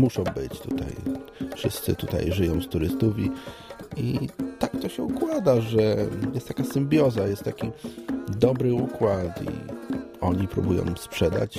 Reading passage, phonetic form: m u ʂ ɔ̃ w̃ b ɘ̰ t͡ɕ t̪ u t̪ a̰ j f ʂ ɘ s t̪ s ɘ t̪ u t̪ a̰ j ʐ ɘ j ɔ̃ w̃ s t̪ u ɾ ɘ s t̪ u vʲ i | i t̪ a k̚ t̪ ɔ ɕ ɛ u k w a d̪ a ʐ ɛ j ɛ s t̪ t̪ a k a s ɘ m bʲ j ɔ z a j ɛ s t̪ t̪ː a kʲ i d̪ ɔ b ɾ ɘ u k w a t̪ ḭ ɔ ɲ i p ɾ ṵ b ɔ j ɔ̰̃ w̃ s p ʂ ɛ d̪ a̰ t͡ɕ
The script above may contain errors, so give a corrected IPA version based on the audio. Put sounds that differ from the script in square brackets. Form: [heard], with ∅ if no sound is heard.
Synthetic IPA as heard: m u ʂ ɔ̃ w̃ b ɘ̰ t͡ɕ t̪ u t̪ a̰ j f ʂ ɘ s t̪ s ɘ t̪ u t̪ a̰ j ʐ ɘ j ɔ̃ w̃ s t̪ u ɾ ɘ s t̪ u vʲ i | i t̪ a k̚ t̪ ɔ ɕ ɛ u k w a d̪ a ʐ ɛ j ɛ s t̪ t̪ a k a s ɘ m bʲ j ɔ z a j ɛ s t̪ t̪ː a kʲ i d̪ ɔ b ɾ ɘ u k w a t̪ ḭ ɔ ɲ i p ɾ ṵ b [u] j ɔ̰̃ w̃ s p ʂ ɛ d̪ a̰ t͡ɕ